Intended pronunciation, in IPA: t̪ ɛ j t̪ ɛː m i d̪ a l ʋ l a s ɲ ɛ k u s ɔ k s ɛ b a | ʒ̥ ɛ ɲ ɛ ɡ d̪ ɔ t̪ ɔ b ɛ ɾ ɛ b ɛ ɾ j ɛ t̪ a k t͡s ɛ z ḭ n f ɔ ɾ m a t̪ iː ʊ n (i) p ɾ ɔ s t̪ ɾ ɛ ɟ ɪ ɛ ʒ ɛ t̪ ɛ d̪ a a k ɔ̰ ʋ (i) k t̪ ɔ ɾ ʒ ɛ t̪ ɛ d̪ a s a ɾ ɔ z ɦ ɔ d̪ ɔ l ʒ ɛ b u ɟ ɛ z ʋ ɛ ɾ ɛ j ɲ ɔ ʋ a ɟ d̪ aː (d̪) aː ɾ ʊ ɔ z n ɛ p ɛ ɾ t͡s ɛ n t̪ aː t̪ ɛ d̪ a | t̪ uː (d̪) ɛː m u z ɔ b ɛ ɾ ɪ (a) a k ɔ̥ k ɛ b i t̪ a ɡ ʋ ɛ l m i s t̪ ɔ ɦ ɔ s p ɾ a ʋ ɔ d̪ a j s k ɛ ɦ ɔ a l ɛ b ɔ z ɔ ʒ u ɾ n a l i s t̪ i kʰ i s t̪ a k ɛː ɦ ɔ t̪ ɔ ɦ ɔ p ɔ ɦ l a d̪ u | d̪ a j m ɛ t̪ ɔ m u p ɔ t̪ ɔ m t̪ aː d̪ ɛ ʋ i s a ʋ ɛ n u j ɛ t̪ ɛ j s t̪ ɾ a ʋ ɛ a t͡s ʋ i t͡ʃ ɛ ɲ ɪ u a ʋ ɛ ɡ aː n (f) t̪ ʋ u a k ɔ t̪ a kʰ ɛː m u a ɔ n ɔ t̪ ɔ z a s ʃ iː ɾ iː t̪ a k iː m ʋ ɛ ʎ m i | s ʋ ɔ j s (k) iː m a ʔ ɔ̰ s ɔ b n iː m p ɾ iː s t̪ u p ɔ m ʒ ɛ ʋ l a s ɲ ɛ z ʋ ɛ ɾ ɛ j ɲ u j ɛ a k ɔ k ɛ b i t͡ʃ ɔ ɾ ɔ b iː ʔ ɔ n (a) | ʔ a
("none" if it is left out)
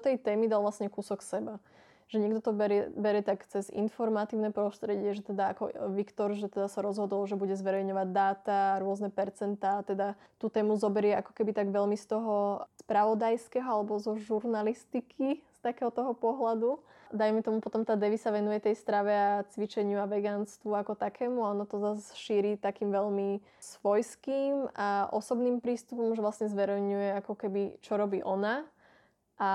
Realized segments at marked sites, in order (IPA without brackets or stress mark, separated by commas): ɛ, i, t̪, t̪, ɛ, s, k, a